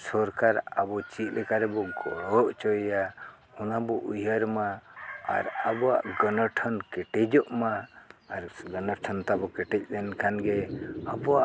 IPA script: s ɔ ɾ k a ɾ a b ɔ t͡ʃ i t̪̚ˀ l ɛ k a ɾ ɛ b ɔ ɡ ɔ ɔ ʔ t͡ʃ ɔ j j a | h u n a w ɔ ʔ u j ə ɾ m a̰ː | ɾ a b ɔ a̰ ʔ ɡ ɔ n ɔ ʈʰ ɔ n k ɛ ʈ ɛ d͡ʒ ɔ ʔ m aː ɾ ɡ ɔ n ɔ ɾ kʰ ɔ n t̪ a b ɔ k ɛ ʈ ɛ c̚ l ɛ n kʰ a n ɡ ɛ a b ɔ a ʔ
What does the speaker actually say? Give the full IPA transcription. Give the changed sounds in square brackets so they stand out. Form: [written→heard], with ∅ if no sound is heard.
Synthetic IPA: s ɔ ɾ k a ɾ a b ɔ t͡ʃ i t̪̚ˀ l ɛ k a ɾ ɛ b ɔ ɡ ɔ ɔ ʔ t͡ʃ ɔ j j a | h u n a [w→b] ɔ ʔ u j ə ɾ m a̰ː | ɾ a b ɔ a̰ ʔ ɡ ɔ n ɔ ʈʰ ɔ n k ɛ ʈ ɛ d͡ʒ ɔ ʔ m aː ɾ ɡ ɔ n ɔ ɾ [kʰ→ʈʰ] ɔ n t̪ a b ɔ k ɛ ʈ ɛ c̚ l ɛ n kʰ a n ɡ ɛ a b ɔ a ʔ

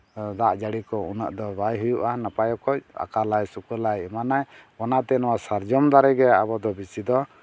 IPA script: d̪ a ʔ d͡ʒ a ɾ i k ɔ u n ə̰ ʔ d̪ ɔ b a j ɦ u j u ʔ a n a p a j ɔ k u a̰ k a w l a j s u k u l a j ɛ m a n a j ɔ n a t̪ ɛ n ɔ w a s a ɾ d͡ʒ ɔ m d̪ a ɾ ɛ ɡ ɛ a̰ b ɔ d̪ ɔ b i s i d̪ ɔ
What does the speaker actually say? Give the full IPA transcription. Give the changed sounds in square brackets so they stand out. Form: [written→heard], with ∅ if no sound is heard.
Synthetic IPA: d̪ a ʔ d͡ʒ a [ɾ→ɽ] i k ɔ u n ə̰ ʔ d̪ ɔ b a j ɦ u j u ʔ a n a p a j ɔ k [u→ɔ] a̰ k a [w→∅] l a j s u k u l a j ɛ m a n a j ɔ n a t̪ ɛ n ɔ w a s a ɾ d͡ʒ ɔ m d̪ a ɾ ɛ ɡ ɛ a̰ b ɔ d̪ ɔ b i s i d̪ ɔ

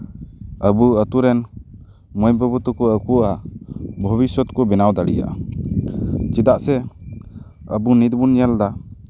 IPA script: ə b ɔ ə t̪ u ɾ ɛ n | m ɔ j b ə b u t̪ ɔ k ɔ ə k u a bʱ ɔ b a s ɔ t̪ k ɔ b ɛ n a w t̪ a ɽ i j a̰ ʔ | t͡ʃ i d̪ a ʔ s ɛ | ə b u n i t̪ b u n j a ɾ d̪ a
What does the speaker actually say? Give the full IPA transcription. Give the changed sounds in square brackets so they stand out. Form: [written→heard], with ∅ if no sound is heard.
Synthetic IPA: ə b [ɔ→u] ə t̪ u ɾ ɛ n | m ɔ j b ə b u t̪ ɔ k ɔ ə k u a bʱ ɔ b [a→i] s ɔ t̪ k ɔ b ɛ n a w [t̪→d̪] a [ɽ→l] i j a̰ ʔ | t͡ʃ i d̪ a ʔ s ɛ | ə b u n i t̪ b u n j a [ɾ→l] d̪ a

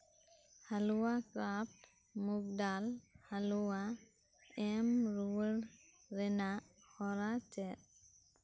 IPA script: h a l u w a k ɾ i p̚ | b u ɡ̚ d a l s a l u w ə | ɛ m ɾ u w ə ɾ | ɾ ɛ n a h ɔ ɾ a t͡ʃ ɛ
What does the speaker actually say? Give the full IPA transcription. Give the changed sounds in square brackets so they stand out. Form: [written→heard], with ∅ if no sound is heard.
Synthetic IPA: h a l u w a k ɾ [i→a] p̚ | [b→m] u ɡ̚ d a l [s→h] a l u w [ə→a] | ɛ m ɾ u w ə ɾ | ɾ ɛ n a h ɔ ɾ a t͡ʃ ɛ

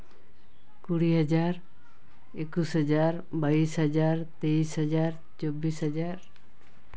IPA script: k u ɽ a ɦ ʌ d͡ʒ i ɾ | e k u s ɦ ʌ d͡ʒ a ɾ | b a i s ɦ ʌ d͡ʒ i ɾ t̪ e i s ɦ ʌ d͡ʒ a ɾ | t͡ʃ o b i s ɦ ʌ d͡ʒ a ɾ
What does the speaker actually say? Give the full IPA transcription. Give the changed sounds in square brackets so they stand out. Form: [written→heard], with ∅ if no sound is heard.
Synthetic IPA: k u ɽ [a→i] ɦ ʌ d͡ʒ [i→a] ɾ | e k u s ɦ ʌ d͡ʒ a ɾ | b a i s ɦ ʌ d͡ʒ [i→a] ɾ t̪ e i s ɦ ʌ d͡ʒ a ɾ | t͡ʃ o b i s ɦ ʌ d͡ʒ a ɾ

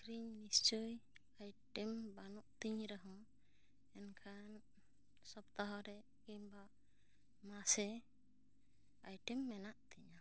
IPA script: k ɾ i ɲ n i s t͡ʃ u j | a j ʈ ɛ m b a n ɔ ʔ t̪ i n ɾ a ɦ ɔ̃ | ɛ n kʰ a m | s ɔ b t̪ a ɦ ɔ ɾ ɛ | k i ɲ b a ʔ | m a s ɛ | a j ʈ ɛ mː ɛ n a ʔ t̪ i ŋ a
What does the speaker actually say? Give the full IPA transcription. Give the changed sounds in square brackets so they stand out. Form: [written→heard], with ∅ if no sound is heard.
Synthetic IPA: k ɾ i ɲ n i s t͡ʃ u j | a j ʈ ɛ m b a n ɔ ʔ t̪ i [n→ɲ] ɾ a ɦ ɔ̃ | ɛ n kʰ a [m→n] | s ɔ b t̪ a ɦ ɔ ɾ ɛ | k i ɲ b a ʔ | m a s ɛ | a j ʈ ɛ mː ɛ n a ʔ t̪ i [ŋ→ɲ] a

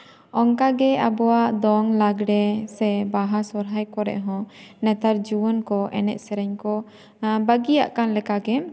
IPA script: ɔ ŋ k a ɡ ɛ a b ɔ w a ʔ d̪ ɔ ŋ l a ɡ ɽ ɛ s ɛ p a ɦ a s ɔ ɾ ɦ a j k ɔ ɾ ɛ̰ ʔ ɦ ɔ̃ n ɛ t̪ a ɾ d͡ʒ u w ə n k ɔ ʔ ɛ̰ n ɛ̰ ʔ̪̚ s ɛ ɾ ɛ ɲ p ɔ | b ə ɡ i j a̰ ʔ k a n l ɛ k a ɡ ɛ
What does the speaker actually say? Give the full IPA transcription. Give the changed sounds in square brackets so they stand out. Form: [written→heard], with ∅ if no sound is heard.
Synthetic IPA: ɔ ŋ k a ɡ ɛ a b ɔ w a ʔ d̪ ɔ ŋ l a ɡ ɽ ɛ s ɛ [p→b] a ɦ a s ɔ ɾ ɦ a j k ɔ ɾ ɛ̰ ʔ ɦ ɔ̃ n ɛ t̪ a ɾ d͡ʒ u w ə n k ɔ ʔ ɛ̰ n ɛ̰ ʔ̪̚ s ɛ ɾ ɛ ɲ [p→k] ɔ | b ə ɡ i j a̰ ʔ k a n l ɛ k a ɡ ɛ

